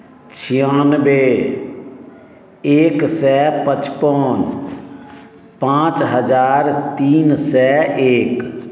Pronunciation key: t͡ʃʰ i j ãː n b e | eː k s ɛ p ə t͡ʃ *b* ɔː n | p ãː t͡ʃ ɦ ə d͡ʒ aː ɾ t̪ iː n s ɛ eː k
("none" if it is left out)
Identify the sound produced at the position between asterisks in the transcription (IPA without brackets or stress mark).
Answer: p